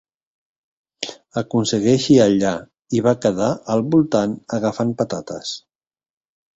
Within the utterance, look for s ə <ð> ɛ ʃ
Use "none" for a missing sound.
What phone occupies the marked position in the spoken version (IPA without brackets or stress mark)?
ɣ